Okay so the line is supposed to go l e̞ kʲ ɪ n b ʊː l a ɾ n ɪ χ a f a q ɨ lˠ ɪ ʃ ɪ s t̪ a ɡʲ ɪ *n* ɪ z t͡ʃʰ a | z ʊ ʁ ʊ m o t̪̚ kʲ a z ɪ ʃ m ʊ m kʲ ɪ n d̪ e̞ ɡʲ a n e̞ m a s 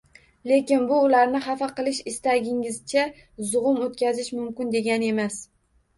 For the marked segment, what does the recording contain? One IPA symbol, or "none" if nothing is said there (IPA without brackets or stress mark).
ŋ